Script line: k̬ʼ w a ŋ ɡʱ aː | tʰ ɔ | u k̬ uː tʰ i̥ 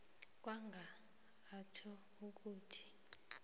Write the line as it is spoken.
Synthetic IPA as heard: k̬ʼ w a ŋ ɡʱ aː | tʰ ɔ | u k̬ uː tʰ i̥